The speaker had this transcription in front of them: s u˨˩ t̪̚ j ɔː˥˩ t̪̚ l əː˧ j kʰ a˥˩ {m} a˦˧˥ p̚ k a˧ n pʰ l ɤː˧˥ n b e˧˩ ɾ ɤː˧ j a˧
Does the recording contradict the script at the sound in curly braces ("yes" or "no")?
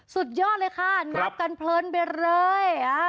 yes